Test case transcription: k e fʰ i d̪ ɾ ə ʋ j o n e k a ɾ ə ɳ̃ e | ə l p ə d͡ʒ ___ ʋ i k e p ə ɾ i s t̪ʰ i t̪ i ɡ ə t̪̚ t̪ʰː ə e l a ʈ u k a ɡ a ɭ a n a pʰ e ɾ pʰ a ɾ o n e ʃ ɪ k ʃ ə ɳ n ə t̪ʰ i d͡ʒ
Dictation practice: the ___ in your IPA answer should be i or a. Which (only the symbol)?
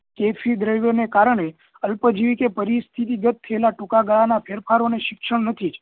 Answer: i